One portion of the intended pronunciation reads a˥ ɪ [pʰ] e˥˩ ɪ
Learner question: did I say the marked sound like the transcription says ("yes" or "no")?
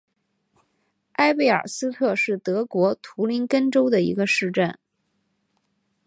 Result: no